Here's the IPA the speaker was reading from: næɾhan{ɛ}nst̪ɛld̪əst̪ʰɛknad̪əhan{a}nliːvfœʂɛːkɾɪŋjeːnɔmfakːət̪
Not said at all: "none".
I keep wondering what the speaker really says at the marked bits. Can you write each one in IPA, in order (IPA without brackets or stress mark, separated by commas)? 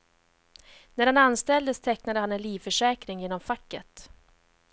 a, ɛ